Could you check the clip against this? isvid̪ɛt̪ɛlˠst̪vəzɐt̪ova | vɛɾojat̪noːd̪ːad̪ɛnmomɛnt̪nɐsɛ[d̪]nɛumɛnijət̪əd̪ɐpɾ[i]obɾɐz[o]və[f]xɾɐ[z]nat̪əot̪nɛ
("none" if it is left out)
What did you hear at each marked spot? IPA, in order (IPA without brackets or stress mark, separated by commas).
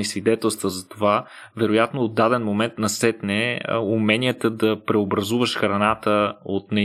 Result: t̪, ɛ, u, ʃ, none